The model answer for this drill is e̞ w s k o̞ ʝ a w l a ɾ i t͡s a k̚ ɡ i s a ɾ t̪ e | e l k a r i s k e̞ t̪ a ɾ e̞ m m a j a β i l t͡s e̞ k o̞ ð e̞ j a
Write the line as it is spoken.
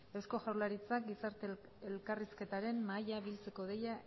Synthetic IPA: e̞ w s k o̞ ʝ a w l a ɾ i t͡s a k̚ ɡ i s a ɾ t̪ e | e l k a r i s k e̞ t̪ a ɾ e̞ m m a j a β i l t͡s e̞ k o̞ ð e̞ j a